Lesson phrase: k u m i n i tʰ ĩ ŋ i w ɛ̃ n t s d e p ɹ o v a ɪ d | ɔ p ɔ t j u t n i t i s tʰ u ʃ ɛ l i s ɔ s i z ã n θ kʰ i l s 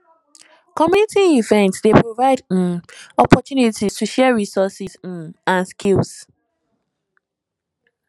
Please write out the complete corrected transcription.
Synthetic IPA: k ɔ m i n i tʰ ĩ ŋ i v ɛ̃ n t s d e p ɹ o v a ɪ d | ɔ p ɔ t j u n i t i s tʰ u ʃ ɛ ɹ i s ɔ s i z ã n s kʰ i l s